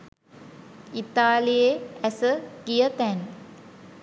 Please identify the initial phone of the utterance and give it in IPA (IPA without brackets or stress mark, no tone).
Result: i